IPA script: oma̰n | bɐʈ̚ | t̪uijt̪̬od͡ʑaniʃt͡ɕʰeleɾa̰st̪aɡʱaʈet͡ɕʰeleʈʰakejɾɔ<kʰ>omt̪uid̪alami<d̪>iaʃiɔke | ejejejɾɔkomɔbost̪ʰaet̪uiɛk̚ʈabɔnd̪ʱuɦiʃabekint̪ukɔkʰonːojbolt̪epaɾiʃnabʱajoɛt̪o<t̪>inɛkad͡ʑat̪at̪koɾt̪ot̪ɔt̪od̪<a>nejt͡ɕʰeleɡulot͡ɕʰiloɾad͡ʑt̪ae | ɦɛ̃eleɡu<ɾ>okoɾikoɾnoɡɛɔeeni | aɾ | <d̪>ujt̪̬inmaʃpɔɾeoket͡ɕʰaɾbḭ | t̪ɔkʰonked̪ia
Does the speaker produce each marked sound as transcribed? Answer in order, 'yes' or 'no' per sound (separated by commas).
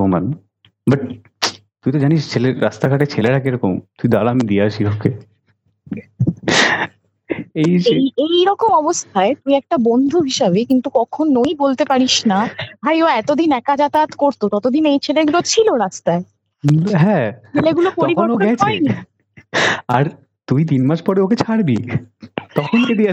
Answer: no, yes, no, no, no, no